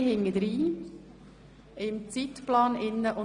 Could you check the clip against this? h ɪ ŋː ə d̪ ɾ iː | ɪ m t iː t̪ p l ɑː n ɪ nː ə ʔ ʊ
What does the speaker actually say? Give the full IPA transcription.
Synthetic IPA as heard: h ɪ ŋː ə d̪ ɾ iː | ɪ m t͡s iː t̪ p l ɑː n ɪ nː ə ʔ ʊ